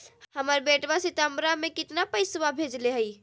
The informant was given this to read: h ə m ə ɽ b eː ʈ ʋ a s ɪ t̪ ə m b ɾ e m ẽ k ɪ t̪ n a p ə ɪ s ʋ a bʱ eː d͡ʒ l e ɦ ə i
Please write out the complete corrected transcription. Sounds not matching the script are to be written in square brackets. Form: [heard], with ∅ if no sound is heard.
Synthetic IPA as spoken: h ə m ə [ɾ] b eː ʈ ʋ a s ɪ t̪ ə m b ɾ [a] m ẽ k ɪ t̪ n a p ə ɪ s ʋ a bʱ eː d͡ʒ l e ɦ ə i